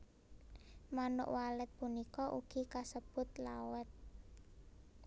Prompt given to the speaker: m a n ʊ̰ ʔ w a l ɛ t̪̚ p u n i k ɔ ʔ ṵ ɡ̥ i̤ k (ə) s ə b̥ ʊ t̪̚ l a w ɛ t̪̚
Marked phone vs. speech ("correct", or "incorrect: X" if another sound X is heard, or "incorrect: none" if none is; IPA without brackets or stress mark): incorrect: a